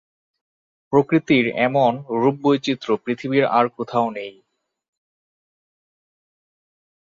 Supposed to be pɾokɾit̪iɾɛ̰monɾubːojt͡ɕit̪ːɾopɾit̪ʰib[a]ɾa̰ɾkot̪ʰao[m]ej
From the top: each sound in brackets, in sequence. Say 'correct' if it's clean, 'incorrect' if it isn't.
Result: incorrect: i, incorrect: n

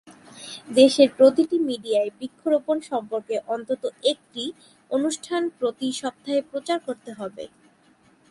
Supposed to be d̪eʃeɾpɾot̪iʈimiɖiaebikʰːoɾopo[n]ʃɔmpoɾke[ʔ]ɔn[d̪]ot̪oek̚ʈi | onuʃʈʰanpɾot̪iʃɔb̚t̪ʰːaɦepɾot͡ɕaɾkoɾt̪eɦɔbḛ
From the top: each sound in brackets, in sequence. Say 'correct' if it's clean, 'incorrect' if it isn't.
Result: correct, correct, incorrect: t̪

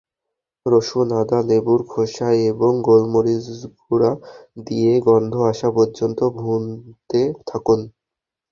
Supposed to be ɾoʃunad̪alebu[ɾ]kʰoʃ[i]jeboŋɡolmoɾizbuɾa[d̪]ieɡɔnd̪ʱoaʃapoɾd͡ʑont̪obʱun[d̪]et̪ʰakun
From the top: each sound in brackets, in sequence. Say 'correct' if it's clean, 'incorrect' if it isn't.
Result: correct, incorrect: a, correct, incorrect: t̪

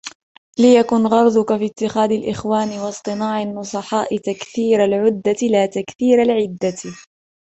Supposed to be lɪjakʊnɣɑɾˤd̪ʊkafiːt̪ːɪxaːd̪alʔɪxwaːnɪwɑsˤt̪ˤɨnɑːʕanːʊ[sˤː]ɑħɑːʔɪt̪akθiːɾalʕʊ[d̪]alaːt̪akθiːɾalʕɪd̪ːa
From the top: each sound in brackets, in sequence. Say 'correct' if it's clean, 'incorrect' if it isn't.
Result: incorrect: sˤ, incorrect: d̪ː

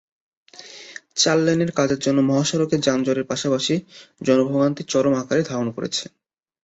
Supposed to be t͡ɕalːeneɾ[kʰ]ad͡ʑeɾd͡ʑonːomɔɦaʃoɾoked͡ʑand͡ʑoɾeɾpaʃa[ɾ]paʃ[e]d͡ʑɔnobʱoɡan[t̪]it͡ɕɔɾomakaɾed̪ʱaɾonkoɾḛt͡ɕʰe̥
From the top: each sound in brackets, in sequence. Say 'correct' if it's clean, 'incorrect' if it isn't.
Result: incorrect: k, incorrect: none, incorrect: i, correct

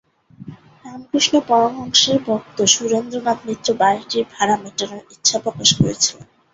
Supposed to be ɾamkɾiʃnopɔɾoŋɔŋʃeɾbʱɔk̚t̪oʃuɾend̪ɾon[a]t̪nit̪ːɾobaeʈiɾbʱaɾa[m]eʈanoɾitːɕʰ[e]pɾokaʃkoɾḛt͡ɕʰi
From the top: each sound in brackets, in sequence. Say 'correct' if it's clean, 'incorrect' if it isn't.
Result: correct, correct, incorrect: a

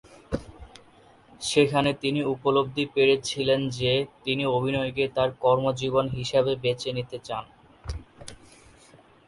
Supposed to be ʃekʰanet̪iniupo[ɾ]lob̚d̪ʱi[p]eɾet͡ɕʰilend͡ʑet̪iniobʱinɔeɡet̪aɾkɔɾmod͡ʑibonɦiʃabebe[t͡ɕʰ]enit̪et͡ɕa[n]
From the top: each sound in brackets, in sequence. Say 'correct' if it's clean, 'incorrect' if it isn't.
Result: incorrect: none, correct, incorrect: t͡ɕ, correct

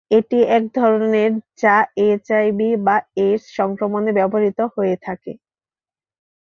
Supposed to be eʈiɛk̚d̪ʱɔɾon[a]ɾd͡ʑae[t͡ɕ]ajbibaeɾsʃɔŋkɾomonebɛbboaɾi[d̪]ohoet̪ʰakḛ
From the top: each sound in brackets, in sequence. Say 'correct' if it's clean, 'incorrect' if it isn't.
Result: incorrect: e, correct, incorrect: t̪

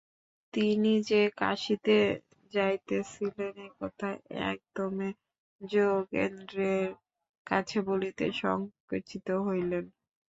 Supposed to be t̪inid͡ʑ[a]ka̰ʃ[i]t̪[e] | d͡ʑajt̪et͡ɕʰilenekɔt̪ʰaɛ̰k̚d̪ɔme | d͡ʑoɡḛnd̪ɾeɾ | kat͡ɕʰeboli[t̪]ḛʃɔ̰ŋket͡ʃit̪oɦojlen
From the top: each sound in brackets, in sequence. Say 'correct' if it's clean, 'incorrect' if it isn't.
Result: incorrect: e, correct, correct, correct

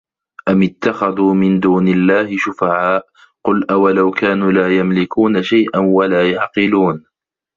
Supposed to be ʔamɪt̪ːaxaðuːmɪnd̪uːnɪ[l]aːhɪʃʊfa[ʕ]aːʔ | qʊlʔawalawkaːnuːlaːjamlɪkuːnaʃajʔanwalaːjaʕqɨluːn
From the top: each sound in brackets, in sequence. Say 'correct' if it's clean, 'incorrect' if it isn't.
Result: incorrect: lː, correct

